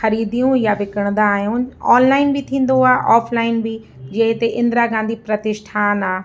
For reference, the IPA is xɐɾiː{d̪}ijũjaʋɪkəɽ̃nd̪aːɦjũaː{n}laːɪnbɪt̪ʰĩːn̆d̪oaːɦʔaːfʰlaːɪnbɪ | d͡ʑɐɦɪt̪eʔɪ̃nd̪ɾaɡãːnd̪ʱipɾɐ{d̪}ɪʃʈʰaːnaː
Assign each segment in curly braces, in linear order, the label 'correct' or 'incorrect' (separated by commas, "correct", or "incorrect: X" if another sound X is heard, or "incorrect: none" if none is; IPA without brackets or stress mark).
correct, correct, incorrect: t̪